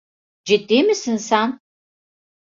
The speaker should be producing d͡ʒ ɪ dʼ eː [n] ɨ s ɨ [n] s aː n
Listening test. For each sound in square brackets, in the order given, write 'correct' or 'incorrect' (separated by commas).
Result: incorrect, correct